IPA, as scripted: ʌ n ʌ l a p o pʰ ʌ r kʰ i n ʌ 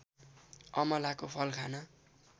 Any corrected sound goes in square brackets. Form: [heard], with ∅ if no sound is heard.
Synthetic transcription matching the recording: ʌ [m] ʌ l a [k] o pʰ ʌ [l] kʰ [a] n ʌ